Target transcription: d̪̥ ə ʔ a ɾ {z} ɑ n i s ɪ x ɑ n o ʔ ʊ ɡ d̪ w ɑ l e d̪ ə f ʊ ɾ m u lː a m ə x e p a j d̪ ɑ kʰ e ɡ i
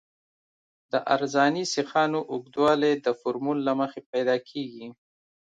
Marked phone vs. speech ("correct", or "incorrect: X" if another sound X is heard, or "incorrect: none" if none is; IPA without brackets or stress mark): correct